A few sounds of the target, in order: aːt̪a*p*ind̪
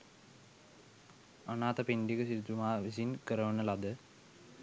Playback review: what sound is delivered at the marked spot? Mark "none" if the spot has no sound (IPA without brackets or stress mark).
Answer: p